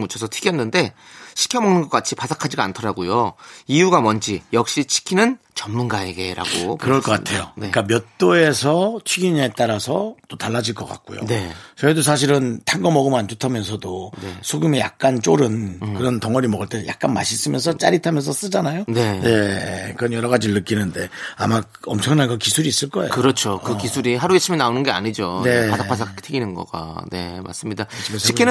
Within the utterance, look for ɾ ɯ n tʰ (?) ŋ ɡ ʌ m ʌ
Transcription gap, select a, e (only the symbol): a